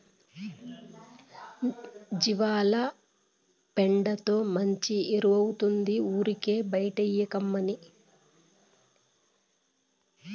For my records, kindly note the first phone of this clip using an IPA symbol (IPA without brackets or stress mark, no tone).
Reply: d͡ʒ